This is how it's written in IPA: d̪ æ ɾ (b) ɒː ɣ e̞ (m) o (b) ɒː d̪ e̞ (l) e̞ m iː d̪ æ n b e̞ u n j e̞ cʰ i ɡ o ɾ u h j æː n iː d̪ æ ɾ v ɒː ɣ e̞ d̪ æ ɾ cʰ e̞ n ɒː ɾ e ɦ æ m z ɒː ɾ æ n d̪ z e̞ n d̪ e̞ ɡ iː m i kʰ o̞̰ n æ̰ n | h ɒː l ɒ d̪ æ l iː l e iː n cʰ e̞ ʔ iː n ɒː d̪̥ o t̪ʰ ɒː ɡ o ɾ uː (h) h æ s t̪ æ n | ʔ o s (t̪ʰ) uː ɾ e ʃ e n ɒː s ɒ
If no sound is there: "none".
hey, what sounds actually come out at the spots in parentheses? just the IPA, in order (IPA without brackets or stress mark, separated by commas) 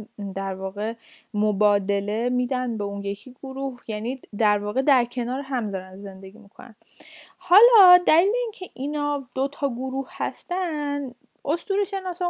v, m, b, l, h, t̪